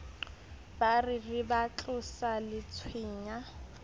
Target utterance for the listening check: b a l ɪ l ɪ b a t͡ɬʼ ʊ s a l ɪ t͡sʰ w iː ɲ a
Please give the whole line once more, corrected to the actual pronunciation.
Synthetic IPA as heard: b a r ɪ r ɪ b a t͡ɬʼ ʊ s a l ɪ t͡sʰ w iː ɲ a